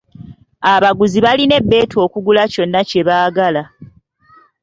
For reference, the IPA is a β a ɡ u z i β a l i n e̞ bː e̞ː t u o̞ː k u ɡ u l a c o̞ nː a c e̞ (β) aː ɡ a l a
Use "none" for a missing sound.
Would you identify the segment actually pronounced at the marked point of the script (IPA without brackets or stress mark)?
β